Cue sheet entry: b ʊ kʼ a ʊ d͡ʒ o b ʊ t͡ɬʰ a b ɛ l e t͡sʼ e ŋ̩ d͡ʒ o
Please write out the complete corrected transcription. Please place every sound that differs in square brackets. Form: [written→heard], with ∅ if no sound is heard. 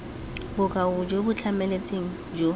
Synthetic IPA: b ʊ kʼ a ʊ d͡ʒ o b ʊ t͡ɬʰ a [b→m] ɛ l e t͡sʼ e ŋ̩ d͡ʒ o